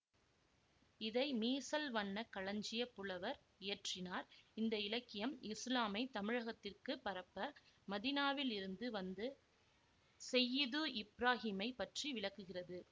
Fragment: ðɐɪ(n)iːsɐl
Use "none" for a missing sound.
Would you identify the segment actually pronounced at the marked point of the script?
m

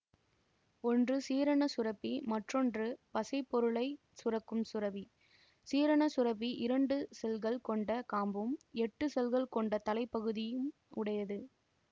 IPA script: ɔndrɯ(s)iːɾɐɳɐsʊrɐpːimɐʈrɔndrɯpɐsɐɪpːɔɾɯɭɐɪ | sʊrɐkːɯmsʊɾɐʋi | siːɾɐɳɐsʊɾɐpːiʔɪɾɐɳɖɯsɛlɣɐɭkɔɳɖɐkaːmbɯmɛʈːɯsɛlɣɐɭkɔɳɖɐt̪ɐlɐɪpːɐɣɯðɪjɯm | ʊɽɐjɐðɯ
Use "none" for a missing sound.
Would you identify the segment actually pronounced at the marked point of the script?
s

